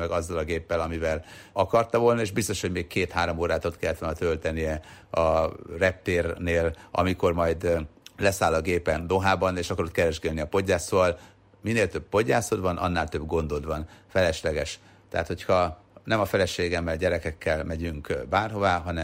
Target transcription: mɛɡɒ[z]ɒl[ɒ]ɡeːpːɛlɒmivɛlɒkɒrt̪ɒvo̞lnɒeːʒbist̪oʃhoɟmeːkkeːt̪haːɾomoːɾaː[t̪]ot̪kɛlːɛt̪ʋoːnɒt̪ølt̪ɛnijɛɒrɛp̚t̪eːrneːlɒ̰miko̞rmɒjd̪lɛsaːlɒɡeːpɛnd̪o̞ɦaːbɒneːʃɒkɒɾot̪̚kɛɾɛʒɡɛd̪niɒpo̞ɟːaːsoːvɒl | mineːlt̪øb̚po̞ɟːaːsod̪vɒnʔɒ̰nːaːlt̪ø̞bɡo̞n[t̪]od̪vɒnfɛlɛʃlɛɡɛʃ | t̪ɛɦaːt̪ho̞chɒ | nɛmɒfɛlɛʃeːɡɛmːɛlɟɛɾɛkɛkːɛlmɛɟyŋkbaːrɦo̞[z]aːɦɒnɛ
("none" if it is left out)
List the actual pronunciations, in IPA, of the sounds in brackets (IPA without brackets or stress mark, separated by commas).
zː, ɒ, t̪, d̪, v